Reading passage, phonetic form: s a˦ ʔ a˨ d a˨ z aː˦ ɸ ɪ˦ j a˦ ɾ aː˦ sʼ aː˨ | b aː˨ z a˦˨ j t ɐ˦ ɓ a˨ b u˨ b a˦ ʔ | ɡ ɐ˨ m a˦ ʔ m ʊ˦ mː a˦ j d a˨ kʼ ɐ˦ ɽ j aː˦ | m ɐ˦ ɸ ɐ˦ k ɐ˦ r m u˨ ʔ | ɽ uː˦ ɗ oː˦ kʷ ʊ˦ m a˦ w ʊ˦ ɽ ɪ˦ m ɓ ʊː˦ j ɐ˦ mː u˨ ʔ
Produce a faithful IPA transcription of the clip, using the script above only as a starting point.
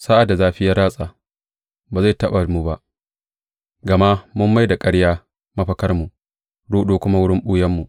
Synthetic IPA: s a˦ ʔ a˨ d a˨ z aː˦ ɸ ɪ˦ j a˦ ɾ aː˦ sʼ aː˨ | b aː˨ z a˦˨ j t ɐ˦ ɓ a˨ m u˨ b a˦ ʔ | ɡ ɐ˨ m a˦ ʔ m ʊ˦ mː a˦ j d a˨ kʼ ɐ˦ ɽ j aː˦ | m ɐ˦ ɸ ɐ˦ k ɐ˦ r m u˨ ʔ | ɽ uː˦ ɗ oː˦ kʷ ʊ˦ m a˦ w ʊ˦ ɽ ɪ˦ m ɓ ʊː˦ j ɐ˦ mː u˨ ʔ